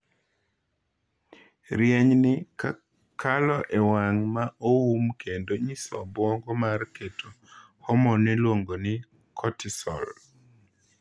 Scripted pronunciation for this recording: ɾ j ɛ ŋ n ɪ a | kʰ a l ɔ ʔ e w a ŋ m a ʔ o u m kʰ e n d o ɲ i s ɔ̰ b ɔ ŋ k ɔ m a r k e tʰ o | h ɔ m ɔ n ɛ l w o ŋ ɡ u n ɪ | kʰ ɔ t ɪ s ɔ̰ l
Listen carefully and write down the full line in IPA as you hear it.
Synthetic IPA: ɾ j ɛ ɲ n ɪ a | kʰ a l ɔ ʔ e w a ŋ m a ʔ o u m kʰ e n d o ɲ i s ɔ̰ b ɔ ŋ ɡ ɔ m a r k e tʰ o | h ɔ m ɔ n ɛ l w o ŋ ɡ o n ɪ | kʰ ɔ t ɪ s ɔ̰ l